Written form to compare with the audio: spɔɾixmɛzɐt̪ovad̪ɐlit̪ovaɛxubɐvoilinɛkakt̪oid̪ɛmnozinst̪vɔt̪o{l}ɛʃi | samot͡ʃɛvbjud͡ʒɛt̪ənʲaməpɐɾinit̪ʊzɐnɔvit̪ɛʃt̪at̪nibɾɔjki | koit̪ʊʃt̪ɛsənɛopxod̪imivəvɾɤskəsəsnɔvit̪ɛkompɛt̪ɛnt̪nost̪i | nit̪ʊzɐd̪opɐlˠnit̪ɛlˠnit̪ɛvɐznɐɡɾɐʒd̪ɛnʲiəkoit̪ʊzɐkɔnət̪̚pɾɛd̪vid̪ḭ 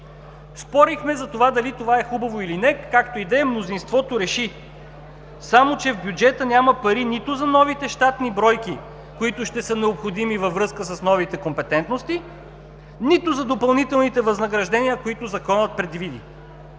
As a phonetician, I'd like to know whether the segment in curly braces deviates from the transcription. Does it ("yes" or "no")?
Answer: yes